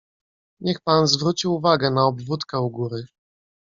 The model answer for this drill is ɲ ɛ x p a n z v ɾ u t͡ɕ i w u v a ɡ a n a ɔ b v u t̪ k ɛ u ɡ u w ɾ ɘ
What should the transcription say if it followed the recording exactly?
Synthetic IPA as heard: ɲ ɛ x p a n z v ɾ u t͡ɕ i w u v a ɡ ɛ n a ɔ b v u t̪ k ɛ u ɡ u ɾ ɘ